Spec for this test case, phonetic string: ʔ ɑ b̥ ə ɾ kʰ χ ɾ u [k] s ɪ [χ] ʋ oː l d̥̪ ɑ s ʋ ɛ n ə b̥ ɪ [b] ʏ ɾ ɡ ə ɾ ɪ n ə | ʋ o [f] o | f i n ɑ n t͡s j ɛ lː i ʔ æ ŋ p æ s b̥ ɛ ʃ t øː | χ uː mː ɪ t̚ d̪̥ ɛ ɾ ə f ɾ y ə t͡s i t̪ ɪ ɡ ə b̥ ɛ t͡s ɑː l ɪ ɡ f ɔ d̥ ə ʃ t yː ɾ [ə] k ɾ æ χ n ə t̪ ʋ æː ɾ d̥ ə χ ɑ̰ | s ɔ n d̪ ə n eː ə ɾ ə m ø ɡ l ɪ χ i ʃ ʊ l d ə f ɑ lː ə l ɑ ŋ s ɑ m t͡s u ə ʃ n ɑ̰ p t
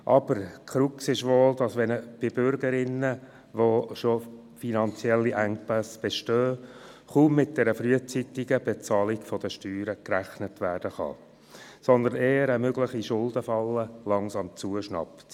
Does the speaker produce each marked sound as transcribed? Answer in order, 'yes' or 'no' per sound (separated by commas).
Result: yes, no, yes, no, yes